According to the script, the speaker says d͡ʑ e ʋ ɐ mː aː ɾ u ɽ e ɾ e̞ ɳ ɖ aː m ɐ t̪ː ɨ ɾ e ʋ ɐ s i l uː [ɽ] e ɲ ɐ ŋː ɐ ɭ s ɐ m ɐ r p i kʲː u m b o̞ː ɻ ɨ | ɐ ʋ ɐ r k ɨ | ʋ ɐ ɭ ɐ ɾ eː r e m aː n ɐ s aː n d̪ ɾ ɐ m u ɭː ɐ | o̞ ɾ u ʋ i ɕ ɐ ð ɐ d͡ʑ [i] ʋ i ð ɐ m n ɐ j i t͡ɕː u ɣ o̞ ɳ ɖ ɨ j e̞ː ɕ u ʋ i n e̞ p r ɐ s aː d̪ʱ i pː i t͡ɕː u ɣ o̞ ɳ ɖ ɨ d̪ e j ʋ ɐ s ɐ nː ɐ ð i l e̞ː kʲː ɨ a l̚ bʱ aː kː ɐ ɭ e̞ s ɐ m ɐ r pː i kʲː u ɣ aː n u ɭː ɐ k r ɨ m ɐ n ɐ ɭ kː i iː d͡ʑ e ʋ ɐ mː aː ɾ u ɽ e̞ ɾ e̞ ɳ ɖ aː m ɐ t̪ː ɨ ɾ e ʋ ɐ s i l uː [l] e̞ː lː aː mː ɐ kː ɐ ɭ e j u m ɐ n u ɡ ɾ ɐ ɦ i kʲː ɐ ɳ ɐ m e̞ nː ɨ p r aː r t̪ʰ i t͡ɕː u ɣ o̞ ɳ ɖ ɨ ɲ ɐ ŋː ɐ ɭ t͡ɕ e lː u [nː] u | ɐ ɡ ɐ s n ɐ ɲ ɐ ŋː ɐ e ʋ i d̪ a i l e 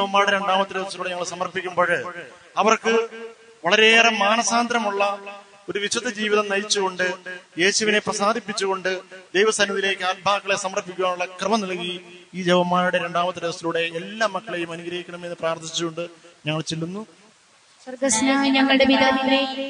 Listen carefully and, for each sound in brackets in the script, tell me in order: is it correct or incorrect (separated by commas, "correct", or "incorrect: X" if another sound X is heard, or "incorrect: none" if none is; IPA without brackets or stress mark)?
correct, incorrect: iː, incorrect: ɽ, correct